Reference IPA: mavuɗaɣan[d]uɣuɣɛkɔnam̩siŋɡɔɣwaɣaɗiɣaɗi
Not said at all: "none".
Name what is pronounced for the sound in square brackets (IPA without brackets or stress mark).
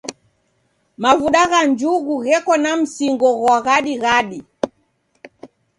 d͡ʒ